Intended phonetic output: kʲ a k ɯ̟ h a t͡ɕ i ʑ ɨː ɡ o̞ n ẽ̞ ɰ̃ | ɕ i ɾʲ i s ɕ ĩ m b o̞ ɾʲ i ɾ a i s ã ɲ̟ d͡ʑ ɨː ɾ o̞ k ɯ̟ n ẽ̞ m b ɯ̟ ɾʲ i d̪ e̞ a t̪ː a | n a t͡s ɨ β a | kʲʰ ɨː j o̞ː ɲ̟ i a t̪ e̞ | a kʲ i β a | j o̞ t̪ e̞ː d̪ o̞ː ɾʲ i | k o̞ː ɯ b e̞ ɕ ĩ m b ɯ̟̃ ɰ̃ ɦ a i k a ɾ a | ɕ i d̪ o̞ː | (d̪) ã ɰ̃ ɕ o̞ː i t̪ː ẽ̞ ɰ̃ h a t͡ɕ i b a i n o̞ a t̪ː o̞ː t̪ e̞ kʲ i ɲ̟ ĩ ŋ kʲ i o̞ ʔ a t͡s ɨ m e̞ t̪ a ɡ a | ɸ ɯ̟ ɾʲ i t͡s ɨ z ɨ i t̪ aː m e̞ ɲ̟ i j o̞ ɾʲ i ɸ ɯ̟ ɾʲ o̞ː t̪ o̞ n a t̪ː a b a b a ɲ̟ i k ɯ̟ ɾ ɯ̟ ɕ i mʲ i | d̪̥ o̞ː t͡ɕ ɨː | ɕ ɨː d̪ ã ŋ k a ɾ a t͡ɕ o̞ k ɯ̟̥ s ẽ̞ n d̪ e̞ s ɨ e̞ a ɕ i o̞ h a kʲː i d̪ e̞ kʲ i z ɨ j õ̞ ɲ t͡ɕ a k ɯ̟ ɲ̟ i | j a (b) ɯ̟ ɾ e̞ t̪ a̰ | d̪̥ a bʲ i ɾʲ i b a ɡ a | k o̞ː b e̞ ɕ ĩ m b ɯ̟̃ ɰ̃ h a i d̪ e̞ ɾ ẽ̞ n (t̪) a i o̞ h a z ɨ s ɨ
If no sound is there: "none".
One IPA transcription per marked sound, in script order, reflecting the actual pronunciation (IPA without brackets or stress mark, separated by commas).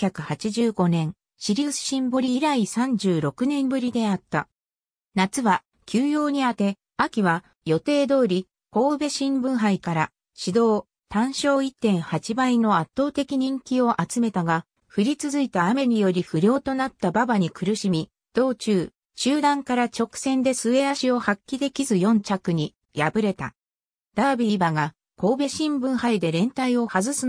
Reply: t̪, b, t̪